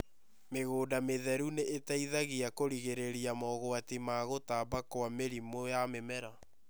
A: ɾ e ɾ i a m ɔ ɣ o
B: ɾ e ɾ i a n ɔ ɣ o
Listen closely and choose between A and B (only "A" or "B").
A